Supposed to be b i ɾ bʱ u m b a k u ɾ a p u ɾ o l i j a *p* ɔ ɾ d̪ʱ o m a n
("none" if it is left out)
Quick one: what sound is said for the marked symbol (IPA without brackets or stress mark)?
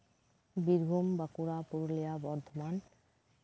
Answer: b